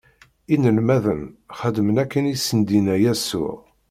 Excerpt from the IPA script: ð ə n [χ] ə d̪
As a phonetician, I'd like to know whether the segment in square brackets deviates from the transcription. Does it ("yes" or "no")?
no